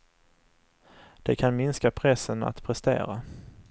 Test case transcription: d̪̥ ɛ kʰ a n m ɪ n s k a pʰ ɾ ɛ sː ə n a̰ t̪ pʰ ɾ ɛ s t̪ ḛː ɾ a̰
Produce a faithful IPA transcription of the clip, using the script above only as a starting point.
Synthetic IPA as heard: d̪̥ ɛ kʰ a n m ɪ n s k a pʰ ɾ ɛ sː ə n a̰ t̪ pʰ ɾ ɛ s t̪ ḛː ɾ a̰